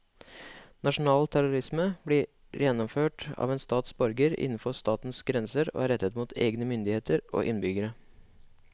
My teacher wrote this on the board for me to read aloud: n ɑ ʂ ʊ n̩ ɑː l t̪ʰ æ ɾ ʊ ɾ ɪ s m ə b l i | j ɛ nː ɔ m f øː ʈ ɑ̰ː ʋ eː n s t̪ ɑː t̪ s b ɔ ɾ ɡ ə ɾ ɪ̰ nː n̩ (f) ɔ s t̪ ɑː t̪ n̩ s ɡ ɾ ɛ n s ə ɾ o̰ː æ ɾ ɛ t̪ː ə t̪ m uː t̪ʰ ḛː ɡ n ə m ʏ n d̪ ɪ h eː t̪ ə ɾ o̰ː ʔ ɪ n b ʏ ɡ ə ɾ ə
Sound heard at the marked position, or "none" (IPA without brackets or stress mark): f